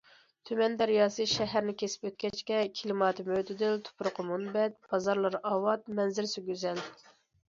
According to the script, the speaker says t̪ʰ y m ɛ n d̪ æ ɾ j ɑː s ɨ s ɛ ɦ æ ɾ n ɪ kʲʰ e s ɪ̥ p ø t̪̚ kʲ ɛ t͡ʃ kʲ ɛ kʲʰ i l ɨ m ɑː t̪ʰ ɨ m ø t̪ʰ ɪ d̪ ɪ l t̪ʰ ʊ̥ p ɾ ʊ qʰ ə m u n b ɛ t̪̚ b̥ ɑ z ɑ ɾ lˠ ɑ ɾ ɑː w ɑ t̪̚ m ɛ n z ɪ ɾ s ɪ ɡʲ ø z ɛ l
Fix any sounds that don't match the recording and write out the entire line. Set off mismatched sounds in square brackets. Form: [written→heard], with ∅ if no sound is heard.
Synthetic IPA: t̪ʰ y m ɛ n d̪ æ ɾ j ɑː s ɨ [s→ʃ] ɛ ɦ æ ɾ n ɪ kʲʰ e s ɪ̥ p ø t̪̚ kʲ ɛ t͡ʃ kʲ ɛ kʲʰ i l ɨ m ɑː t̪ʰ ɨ m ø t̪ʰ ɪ d̪ ɪ l t̪ʰ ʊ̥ p ɾ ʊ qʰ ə m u n b ɛ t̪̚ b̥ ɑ z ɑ ɾ lˠ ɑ ɾ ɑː w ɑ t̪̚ m ɛ n z ɪ ɾ s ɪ ɡʲ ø z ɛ l